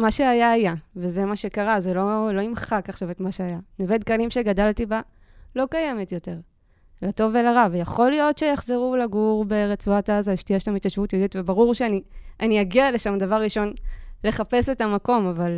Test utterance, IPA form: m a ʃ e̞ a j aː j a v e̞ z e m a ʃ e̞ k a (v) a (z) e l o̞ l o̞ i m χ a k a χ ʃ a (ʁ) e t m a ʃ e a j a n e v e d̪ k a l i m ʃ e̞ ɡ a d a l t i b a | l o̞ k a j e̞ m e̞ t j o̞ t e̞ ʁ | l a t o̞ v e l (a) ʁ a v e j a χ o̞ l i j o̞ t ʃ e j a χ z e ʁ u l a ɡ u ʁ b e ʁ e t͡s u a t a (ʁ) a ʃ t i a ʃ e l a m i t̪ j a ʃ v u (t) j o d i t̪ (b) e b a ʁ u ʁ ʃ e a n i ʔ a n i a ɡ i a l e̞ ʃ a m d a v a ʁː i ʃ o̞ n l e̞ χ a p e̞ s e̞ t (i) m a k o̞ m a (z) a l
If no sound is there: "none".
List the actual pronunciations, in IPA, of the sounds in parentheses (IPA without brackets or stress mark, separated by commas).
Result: ʁ, z, v, a, z, t, v, a, v